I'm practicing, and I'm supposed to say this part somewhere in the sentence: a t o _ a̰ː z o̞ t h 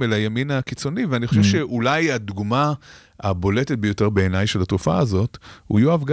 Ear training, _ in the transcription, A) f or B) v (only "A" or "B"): A